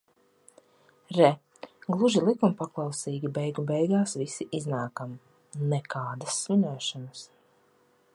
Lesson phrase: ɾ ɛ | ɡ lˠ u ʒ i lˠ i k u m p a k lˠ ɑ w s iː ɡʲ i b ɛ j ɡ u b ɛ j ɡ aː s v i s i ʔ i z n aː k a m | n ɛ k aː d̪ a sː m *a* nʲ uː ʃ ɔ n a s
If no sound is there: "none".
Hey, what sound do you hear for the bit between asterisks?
i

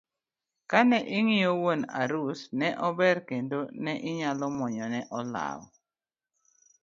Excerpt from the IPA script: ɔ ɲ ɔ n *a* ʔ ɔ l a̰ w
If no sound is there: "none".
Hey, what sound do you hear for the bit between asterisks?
ɛ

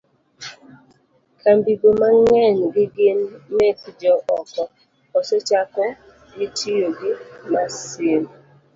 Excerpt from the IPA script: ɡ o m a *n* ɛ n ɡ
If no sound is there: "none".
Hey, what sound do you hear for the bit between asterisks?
ŋ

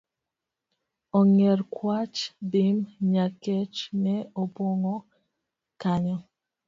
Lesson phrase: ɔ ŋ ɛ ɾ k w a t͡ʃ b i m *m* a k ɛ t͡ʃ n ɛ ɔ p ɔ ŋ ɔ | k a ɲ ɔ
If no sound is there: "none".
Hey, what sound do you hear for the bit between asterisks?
ɲ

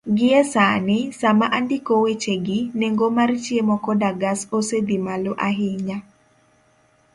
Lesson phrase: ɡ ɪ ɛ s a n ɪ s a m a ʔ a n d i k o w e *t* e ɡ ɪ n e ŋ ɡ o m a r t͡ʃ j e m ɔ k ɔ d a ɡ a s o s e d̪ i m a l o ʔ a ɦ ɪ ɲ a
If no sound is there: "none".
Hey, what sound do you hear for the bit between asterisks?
t͡ʃ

